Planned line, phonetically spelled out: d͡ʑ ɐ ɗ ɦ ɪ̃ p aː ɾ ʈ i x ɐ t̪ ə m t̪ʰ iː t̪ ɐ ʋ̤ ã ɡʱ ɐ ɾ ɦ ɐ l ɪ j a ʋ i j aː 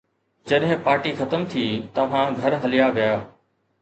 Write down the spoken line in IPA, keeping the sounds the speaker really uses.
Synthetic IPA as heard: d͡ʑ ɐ ɗ ɦ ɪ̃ p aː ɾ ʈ i x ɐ t̪ ə m t̪ʰ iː t̪ ɐ ʋ̤ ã ɡʱ ɐ ɾ ɦ ɐ l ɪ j a ʋ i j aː